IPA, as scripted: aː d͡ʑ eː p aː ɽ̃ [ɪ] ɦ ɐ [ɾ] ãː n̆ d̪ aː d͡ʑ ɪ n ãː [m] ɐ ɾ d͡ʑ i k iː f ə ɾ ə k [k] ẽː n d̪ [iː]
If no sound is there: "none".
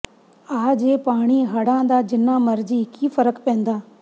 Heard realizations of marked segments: i, ɽ, m, p, aː

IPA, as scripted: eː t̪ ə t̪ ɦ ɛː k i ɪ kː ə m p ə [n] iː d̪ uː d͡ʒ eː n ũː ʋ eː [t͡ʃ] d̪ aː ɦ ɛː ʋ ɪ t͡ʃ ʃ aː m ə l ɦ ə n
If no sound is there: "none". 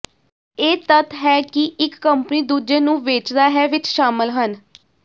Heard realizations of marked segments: n, t͡ʃ

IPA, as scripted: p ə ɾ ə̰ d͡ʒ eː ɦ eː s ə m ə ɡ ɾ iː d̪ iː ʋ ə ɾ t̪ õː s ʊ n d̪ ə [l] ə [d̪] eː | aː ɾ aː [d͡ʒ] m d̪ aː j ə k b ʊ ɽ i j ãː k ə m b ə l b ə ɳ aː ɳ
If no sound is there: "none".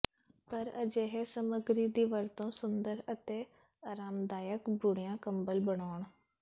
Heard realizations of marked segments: ɾ, t̪, none

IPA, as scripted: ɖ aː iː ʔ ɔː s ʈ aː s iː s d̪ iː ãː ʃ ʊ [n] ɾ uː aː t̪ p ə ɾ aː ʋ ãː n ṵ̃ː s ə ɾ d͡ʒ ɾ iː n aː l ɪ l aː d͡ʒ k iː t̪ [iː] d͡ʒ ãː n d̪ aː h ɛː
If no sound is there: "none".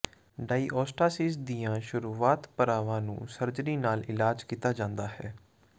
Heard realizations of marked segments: none, aː

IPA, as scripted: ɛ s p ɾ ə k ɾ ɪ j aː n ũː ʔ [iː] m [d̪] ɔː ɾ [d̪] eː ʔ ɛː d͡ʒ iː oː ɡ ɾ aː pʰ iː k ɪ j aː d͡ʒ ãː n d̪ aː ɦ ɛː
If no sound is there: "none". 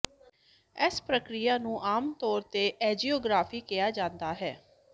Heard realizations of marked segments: aː, t̪, t̪

